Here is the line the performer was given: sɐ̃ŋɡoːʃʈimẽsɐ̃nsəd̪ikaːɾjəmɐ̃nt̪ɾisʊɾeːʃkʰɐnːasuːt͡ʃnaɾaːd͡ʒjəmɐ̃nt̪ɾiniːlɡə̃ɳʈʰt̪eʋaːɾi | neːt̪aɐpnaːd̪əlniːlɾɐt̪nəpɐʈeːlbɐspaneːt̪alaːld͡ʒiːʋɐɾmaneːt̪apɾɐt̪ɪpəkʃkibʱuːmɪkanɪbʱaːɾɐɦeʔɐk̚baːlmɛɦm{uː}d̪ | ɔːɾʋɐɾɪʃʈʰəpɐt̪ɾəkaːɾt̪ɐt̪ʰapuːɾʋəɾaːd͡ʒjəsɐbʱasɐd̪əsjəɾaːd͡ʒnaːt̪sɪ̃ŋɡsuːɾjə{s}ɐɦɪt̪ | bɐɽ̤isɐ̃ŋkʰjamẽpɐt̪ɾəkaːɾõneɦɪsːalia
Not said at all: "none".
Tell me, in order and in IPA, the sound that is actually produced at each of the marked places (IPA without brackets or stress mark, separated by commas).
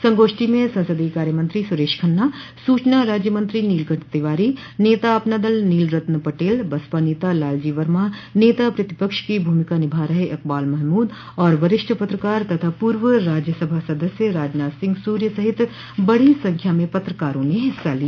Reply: uː, s